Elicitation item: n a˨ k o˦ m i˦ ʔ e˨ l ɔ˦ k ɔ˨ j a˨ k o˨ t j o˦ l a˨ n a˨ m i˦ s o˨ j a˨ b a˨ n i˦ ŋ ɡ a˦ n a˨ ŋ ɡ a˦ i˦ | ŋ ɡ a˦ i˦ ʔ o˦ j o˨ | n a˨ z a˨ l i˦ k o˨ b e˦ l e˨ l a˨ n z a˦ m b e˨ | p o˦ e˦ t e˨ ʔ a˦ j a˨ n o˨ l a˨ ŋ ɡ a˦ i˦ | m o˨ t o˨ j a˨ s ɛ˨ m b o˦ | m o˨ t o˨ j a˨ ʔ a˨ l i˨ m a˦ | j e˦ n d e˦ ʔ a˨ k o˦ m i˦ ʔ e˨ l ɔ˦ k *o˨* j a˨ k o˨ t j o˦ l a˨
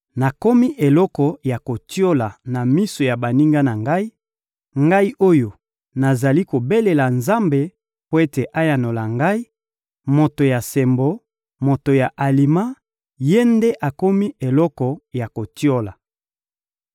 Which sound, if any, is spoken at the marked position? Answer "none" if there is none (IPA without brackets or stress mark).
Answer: ɔ˨